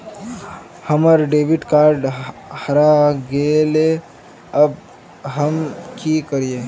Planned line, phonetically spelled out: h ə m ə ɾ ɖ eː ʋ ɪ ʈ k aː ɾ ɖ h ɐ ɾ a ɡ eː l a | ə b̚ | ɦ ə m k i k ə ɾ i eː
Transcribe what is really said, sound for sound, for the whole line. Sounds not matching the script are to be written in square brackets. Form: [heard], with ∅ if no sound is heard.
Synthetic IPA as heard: h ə m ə ɾ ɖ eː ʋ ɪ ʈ k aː ɾ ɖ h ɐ ɾ a ɡ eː l [e] | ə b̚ | ɦ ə m k i k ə ɾ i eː